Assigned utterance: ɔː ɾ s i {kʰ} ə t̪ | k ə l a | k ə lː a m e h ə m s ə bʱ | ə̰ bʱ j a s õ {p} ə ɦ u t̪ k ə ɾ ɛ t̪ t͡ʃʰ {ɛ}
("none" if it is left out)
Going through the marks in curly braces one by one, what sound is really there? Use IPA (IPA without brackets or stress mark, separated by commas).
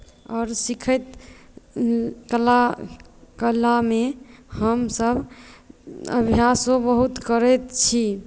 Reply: kʰ, b, i